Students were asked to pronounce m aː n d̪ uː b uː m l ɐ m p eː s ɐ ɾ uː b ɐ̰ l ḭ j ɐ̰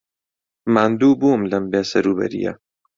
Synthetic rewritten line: m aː n d̪ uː b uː m l ɐ m b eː s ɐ ɾ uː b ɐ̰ ɾ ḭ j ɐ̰